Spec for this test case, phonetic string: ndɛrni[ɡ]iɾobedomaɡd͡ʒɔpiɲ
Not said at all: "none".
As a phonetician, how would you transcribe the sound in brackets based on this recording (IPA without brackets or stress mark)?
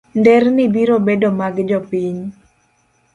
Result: b